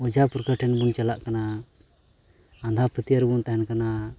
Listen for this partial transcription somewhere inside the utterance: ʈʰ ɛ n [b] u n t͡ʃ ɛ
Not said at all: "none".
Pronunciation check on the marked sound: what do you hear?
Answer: b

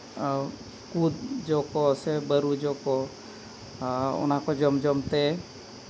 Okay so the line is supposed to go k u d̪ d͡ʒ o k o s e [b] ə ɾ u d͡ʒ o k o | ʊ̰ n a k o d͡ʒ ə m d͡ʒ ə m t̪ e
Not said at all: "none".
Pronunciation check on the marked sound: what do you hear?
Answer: b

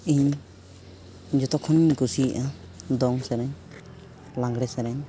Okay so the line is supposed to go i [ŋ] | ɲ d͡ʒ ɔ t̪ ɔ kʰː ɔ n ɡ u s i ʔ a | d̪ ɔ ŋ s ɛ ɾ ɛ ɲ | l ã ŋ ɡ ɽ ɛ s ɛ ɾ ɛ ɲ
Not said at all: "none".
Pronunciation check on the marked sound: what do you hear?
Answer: ɲ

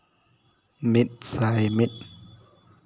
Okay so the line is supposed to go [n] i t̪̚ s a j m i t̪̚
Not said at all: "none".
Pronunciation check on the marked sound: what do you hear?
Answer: m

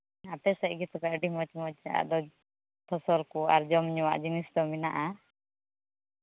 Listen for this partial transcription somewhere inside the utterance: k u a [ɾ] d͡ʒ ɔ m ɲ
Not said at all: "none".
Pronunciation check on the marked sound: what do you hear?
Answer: ɾ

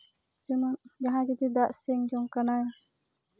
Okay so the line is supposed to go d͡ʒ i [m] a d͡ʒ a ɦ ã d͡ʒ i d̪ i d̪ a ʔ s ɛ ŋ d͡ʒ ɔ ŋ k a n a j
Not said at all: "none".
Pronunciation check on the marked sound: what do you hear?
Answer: m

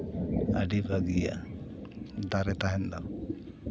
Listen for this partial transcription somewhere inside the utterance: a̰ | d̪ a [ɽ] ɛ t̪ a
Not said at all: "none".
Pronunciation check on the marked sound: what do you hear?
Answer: ɾ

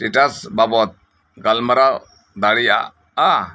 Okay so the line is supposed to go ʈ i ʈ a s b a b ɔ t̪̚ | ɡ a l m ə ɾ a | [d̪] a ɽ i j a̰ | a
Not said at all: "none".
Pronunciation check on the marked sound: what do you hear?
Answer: d̪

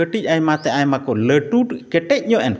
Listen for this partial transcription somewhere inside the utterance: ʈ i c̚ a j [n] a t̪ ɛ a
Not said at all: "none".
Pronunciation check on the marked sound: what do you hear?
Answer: m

